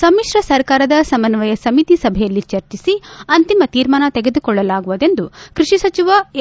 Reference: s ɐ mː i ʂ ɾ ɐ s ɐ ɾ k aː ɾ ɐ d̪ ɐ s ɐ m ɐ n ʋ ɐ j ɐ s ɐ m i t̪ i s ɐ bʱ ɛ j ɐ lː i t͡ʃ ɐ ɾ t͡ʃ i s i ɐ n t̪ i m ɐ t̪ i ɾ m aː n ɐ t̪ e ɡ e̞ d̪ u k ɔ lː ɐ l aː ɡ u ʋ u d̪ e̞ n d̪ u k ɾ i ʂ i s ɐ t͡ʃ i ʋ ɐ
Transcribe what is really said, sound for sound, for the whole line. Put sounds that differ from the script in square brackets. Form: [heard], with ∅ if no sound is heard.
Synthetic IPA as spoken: s ɐ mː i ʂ ɾ ɐ s ɐ ɾ k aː ɾ ɐ d̪ ɐ s ɐ m ɐ n ʋ ɐ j ɐ s ɐ m i t̪ i s ɐ bʱ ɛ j ɐ lː i t͡ʃ ɐ ɾ t͡ʃ i s i ɐ n t̪ i m ɐ t̪ [iː] ɾ m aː n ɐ t̪ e ɡ e̞ d̪ u k ɔ [ɭː] ɐ l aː ɡ u ʋ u d̪ e̞ n d̪ u k ɾ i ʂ i s ɐ t͡ʃ i ʋ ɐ